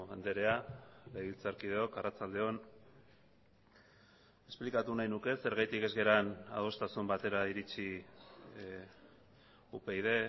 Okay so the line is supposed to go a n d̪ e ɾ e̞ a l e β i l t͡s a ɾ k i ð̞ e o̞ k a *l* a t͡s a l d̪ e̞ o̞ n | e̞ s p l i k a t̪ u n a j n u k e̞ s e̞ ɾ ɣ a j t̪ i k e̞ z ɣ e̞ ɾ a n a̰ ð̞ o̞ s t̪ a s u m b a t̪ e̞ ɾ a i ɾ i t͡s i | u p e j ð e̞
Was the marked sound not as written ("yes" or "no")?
yes